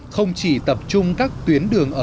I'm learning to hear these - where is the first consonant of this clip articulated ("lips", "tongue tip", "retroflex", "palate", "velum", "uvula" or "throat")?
velum